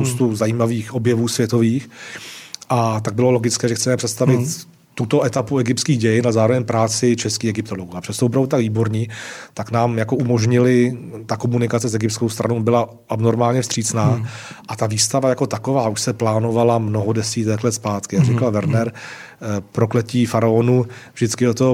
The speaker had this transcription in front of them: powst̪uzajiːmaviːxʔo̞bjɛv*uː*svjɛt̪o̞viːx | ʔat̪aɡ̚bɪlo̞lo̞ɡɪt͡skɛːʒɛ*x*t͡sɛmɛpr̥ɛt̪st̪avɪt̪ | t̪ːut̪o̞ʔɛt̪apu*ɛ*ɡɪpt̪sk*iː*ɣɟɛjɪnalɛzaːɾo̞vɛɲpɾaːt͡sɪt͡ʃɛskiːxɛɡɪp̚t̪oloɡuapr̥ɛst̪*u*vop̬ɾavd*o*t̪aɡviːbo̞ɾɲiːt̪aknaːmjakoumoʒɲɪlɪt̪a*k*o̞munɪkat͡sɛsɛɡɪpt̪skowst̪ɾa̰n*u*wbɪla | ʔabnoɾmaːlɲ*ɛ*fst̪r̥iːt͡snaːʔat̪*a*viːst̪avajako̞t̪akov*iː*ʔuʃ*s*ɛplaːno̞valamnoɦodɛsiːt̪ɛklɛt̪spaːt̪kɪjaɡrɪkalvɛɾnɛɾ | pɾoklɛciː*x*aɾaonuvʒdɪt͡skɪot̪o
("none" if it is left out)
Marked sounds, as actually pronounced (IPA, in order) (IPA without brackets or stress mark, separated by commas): uː, x, ɛ, iː, o, u, k, o, ɛ, a, aː, s, f